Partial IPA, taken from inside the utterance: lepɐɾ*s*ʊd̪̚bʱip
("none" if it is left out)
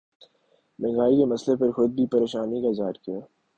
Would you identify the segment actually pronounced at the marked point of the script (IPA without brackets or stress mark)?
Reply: x